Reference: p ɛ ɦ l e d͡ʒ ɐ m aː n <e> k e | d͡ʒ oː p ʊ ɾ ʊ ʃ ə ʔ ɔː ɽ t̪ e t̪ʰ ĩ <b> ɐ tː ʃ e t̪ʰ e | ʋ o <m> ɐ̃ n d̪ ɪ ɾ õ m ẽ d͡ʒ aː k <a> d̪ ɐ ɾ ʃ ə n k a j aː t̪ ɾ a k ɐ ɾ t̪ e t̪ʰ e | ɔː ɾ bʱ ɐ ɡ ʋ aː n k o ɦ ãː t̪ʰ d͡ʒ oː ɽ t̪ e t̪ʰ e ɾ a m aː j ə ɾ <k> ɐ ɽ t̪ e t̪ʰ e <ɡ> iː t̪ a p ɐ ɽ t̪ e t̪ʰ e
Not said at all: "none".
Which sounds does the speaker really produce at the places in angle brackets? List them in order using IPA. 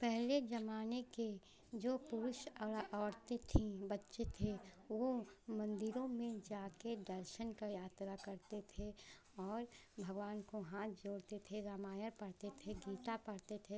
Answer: e, b, m, e, p, ɡ

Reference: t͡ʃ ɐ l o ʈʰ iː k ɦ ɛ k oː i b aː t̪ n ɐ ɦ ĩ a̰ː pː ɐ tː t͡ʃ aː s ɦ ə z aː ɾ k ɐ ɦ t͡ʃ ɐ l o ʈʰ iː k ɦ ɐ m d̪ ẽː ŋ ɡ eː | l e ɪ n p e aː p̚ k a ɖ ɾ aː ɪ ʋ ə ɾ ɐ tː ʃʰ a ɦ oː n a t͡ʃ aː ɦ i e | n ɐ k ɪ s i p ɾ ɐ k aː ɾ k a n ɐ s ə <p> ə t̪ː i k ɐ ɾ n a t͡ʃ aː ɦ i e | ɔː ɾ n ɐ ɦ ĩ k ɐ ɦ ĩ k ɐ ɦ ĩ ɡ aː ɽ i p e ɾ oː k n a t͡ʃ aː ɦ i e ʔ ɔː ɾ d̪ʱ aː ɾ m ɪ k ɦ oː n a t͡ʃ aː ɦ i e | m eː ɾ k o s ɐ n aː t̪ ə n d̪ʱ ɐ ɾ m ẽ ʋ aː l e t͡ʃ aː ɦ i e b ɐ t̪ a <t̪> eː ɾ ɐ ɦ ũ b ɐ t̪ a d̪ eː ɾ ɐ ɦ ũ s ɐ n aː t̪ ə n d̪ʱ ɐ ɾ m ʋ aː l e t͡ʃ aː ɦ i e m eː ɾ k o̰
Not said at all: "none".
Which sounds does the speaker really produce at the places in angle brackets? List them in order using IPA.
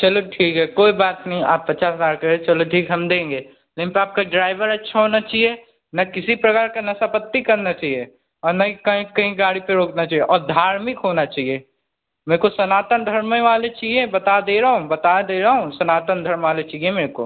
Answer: p, d̪

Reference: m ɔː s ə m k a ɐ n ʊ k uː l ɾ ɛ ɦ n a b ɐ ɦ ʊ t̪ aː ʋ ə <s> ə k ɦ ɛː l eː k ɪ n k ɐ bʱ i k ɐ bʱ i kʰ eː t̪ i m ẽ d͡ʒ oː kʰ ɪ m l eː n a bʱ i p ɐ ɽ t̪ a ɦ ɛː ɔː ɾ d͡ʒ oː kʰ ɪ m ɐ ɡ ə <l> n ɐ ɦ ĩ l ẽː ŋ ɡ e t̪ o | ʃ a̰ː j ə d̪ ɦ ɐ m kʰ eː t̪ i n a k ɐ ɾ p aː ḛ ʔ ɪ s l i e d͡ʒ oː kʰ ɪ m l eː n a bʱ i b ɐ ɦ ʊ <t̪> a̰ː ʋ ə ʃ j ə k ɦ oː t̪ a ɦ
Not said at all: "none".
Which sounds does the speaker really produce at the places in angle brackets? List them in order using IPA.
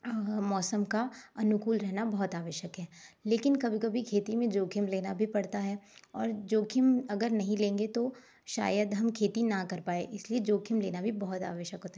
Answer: ʃ, ɾ, t̪

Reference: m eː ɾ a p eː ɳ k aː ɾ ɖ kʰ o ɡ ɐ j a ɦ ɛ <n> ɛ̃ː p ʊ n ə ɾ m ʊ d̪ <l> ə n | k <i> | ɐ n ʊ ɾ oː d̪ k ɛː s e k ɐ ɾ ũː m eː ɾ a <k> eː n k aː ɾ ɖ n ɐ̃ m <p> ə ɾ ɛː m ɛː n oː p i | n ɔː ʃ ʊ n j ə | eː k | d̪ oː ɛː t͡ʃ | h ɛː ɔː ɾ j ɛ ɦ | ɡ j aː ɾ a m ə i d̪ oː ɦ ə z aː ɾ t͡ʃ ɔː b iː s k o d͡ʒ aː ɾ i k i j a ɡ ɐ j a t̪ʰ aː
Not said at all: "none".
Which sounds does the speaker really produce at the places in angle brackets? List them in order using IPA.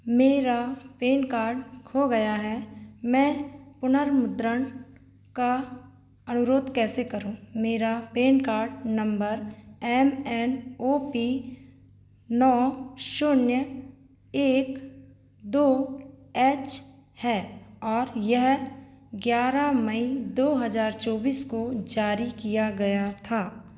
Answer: m, ɾ, a, p, b

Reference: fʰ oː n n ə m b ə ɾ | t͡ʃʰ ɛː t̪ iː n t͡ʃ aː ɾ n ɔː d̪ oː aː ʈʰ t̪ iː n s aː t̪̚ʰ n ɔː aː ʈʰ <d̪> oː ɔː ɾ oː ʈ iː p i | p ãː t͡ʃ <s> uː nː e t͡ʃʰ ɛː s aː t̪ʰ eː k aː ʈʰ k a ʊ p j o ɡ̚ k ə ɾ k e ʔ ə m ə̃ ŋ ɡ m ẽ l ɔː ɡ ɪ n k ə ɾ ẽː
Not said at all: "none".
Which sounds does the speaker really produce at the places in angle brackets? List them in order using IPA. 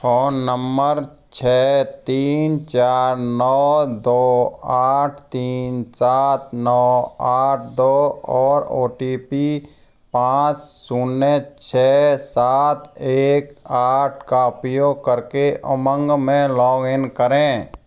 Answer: d̪, s

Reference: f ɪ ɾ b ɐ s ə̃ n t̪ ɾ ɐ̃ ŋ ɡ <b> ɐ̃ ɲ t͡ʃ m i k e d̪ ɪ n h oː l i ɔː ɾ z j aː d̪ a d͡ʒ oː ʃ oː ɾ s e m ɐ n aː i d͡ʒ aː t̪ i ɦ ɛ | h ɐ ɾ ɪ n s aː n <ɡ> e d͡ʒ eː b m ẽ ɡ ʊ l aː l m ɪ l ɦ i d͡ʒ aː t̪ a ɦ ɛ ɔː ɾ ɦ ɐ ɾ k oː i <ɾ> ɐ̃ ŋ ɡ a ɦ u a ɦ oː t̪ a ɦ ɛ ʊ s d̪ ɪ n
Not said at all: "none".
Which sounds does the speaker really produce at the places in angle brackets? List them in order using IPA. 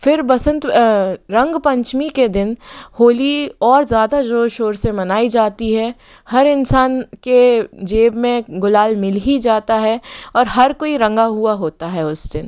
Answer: p, k, ɾ

